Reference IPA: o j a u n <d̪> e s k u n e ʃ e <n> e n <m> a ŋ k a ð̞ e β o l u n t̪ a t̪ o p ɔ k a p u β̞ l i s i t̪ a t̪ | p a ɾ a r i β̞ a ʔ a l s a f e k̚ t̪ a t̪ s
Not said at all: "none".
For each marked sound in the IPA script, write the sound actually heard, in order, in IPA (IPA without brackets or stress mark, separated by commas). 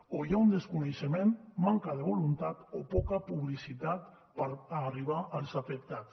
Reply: d̪, m, m